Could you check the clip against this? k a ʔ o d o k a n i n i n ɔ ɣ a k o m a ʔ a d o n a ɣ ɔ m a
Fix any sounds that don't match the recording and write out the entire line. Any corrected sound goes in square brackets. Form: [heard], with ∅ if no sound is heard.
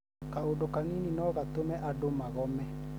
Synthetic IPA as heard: k a [∅] o d o k a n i n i n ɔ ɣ a [t] o m [ɛ] ʔ a d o [m] a ɣ ɔ m [ɛ]

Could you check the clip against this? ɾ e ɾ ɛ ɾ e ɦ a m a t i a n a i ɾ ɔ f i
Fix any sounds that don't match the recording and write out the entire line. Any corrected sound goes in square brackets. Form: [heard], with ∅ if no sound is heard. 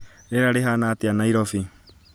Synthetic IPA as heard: ɾ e ɾ [a] ɾ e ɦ a [n] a t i a n a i ɾ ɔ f i

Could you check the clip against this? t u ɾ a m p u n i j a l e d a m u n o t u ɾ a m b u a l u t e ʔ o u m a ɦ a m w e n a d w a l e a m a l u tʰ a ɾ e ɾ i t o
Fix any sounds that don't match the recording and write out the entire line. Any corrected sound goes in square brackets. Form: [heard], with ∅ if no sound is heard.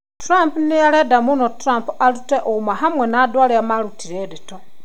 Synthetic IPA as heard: t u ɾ a m p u n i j a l e d a m u n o t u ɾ a m [p] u a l u t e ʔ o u m a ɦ a m w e n a d w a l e a m a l u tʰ [i] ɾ e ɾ i t o

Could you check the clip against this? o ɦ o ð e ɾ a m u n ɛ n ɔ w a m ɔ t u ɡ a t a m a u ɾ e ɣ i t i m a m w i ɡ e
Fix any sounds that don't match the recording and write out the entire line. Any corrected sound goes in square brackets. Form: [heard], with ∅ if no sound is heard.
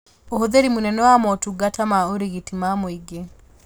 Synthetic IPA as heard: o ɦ o ð e ɾ [i] m u n ɛ n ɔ w a m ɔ t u ɡ a t a m a [o] ɾ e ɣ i t i m a m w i ɡ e

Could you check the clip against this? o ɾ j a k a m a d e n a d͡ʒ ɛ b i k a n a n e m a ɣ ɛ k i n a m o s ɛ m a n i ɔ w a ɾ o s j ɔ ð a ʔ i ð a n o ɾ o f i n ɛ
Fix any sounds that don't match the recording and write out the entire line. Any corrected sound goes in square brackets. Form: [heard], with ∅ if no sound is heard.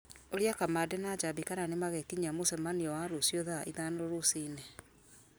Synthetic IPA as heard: o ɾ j a k a m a d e n a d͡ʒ [a] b i k a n a n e m a ɣ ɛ k i [ɲ] a m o s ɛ m a n i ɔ w a ɾ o s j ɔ ð a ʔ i ð a n o ɾ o [s] i n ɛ

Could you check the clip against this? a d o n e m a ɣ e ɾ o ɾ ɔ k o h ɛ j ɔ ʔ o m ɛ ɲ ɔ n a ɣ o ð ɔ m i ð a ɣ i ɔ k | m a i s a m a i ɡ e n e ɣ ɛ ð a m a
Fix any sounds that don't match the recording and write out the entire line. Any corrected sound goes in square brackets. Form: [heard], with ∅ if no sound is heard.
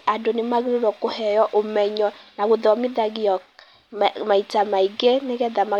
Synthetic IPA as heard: a d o n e m a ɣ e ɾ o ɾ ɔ k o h ɛ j ɔ ʔ o m ɛ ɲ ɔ n a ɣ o ð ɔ m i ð a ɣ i ɔ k | m a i [t] a m a i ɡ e n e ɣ ɛ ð a m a

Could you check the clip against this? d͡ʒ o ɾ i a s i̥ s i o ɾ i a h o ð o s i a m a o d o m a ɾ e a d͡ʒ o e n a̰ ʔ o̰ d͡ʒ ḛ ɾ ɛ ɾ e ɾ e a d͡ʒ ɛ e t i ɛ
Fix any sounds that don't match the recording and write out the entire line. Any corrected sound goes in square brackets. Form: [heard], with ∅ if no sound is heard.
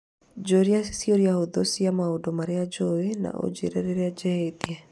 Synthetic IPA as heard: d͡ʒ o ɾ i a s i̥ s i o ɾ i a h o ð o s i a m a o d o m a ɾ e a d͡ʒ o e n a̰ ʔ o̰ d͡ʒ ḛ ɾ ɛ ɾ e ɾ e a d͡ʒ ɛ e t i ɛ

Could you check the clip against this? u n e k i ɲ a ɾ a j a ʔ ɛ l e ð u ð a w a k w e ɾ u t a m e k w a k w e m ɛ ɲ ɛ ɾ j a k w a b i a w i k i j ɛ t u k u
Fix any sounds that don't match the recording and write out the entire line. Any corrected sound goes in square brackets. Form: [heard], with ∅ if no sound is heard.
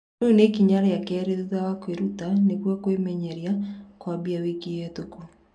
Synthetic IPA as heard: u n e k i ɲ a ɾ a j a [k] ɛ [ɾ] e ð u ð a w a k w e ɾ u t a [n] e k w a k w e m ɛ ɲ ɛ ɾ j a k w a b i a w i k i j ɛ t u k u

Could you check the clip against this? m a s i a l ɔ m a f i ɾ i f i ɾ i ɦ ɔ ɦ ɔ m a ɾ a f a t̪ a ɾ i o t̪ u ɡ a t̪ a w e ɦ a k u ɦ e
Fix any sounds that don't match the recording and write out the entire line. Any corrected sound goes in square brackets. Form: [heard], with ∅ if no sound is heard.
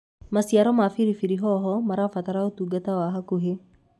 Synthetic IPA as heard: m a s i a [ɾ] ɔ m a f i ɾ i f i ɾ i ɦ ɔ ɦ ɔ m a ɾ a f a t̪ a ɾ [a] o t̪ u ɡ a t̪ a w [a] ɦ a k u ɦ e

